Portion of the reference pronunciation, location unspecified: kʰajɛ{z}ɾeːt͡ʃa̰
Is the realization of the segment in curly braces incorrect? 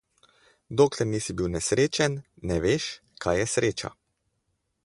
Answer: yes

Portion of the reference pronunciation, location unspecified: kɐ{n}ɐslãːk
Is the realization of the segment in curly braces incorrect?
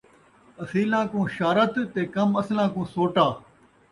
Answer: yes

